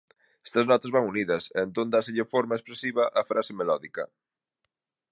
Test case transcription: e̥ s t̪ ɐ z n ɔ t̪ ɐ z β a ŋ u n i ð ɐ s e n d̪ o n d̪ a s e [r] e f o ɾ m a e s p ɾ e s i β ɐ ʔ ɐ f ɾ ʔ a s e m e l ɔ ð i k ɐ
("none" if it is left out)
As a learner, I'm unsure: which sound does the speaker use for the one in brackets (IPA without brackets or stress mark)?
ʎ